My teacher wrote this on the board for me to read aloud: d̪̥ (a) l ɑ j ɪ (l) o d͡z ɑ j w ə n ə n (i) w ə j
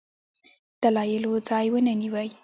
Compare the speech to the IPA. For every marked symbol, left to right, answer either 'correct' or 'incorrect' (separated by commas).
correct, correct, correct